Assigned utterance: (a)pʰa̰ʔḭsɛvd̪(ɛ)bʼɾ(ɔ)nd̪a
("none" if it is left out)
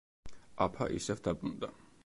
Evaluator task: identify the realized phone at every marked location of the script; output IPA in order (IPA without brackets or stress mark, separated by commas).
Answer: a, a, u